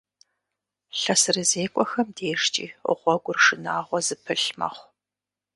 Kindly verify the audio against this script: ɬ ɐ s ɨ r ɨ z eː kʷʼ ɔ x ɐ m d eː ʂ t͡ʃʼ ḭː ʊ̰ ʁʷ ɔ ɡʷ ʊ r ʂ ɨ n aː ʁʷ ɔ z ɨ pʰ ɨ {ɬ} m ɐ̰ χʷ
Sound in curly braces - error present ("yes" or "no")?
no